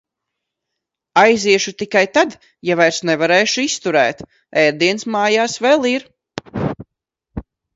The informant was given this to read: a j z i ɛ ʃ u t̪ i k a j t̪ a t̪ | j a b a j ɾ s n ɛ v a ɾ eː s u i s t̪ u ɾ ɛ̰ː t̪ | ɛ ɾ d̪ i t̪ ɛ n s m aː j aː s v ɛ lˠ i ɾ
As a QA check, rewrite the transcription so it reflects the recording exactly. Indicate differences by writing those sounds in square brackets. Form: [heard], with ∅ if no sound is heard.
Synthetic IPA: a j z i ɛ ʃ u t̪ i k a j t̪ a [d̪] | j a [v] a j ɾ s n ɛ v a ɾ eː [ʃ] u i s t̪ u ɾ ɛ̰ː t̪ | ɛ ɾ d̪ i [∅] ɛ n s m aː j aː s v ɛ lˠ i ɾ